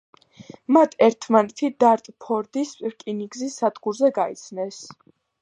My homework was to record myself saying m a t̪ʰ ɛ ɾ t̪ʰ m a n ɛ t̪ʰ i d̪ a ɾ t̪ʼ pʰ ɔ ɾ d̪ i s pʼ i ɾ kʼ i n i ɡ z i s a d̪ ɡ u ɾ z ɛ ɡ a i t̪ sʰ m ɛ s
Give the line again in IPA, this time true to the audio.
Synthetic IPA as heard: m a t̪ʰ ɛ ɾ t̪ʰ m a n ɛ t̪ʰ i d̪ a ɾ t̪ʼ pʰ ɔ ɾ d̪ i s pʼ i ɾ kʼ i n i ɡ z i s a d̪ ɡ u ɾ z ɛ ɡ a i t̪ sʰ n ɛ s